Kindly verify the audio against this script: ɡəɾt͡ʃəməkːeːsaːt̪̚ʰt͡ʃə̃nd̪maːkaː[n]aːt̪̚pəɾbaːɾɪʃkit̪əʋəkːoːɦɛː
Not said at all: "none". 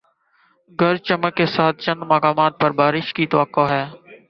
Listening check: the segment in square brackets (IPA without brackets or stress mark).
m